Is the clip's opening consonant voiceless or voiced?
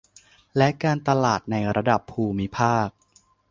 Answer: voiced